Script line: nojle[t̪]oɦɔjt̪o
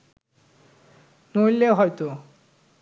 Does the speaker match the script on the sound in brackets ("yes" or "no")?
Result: no